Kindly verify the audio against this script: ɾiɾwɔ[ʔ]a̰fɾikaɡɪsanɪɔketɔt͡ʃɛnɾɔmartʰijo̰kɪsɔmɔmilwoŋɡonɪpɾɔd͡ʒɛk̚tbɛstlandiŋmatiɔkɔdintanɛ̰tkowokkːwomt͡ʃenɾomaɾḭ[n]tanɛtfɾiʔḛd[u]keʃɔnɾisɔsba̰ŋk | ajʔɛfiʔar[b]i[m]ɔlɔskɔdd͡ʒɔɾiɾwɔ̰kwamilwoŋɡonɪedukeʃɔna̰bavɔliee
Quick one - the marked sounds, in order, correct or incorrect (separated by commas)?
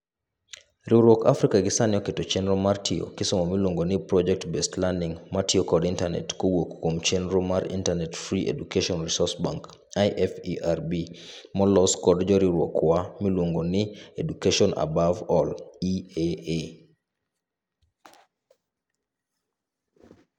incorrect, correct, correct, correct, correct